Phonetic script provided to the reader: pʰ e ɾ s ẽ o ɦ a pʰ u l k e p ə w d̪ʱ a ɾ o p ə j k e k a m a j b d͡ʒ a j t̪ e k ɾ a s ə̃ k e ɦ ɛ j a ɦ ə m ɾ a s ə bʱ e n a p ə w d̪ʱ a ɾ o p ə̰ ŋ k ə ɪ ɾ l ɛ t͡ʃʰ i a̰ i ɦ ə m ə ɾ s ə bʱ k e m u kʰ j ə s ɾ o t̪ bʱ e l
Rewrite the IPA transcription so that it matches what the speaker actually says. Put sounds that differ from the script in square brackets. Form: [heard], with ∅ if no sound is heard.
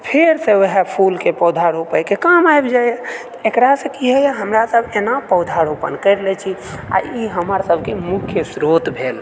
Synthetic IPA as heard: pʰ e ɾ s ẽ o ɦ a pʰ u l k e p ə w d̪ʱ a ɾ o p ə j k e k a m a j b d͡ʒ a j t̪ e k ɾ a s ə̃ k [i] ɦ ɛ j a ɦ ə m ɾ a s ə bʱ e n a p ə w d̪ʱ a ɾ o p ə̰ [n] k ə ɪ ɾ l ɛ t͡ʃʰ i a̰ i ɦ ə m ə ɾ s ə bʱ k e m u kʰ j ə s ɾ o t̪ bʱ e l